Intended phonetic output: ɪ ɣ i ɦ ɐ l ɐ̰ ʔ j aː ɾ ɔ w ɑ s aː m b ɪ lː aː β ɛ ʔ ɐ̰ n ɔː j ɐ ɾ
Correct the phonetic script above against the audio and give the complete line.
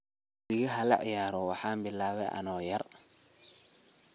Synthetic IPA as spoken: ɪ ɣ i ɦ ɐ l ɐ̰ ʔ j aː ɾ ɔ w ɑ ħ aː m b ɪ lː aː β ɛ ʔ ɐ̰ n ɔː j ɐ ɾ